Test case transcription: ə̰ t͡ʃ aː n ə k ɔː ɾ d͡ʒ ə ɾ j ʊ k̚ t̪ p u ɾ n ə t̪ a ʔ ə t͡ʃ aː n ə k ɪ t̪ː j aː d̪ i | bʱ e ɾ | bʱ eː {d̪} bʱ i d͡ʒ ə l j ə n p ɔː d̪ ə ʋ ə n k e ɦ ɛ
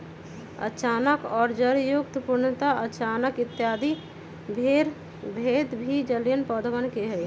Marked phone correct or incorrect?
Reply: correct